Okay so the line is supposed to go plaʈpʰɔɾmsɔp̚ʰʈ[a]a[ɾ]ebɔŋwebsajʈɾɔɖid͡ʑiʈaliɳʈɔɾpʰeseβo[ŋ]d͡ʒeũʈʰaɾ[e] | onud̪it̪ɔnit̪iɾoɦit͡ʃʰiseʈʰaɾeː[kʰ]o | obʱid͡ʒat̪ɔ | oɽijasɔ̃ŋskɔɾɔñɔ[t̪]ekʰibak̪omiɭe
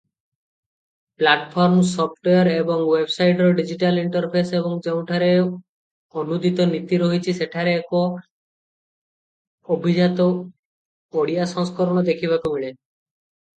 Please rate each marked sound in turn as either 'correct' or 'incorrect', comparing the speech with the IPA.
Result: incorrect: e, correct, correct, correct, incorrect: k, incorrect: d̪

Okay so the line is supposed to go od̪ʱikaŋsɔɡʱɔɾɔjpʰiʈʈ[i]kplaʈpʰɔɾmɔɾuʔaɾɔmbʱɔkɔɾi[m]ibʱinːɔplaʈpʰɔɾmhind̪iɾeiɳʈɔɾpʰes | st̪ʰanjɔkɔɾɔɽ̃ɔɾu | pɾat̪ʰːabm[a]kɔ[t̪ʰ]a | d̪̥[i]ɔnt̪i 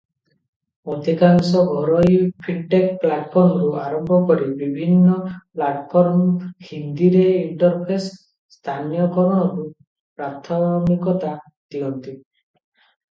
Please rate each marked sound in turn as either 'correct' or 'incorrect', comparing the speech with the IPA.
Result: incorrect: e, incorrect: b, incorrect: i, incorrect: t̪, correct

